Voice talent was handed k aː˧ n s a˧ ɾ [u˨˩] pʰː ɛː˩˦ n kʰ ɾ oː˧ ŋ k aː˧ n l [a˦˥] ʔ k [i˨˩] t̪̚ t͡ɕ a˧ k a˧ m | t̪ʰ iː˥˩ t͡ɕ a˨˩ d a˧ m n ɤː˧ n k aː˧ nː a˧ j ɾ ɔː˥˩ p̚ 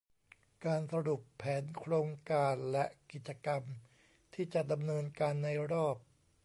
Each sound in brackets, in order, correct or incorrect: correct, incorrect, correct

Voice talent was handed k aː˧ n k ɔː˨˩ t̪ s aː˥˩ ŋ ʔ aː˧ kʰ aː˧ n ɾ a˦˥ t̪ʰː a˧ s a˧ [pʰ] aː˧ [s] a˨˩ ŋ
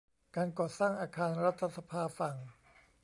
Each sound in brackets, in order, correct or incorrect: correct, incorrect

